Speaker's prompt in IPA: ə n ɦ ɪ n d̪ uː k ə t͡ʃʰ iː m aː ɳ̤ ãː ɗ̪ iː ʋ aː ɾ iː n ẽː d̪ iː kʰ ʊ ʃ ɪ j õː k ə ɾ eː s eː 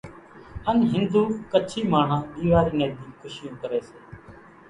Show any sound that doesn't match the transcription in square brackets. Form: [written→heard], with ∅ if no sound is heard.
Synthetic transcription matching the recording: ə n ɦ ɪ n d̪ uː k ə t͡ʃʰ iː m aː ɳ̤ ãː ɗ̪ iː ʋ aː ɾ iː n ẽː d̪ iː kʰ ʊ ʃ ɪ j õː k ə ɾ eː s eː